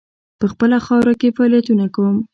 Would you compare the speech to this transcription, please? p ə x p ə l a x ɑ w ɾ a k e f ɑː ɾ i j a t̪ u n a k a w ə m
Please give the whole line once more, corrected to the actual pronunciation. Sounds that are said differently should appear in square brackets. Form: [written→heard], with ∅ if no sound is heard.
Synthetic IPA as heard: p ə x p ə l a x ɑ w ɾ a k e f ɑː [ɾ→l] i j a t̪ u n a k a w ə m